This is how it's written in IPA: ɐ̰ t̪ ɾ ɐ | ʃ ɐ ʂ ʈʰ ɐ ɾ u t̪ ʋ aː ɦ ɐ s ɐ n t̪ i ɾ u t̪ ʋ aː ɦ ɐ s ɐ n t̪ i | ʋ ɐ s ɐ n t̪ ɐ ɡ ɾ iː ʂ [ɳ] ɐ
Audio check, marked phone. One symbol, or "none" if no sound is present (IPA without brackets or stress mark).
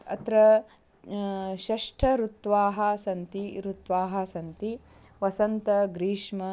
m